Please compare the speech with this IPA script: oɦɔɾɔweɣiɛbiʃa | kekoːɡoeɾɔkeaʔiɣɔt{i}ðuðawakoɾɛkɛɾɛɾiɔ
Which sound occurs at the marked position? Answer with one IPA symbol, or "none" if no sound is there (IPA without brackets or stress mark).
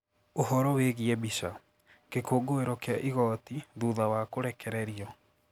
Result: i